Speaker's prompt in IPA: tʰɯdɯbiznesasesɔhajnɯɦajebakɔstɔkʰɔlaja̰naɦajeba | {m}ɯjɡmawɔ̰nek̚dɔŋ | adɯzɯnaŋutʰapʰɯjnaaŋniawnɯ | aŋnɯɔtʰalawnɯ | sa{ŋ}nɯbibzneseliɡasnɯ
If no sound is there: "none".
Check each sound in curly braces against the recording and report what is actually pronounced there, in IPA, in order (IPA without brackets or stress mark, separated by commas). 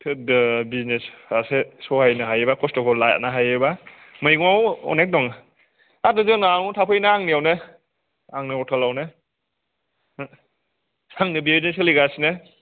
m, ŋ